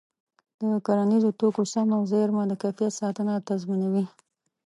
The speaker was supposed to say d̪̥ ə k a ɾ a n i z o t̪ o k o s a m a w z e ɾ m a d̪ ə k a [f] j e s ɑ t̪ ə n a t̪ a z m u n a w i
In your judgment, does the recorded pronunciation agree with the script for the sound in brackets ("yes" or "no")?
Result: yes